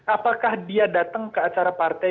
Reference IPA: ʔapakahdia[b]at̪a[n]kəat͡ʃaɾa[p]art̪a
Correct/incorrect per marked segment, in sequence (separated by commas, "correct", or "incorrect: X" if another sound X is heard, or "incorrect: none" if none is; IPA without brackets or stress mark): incorrect: d, incorrect: ŋ, correct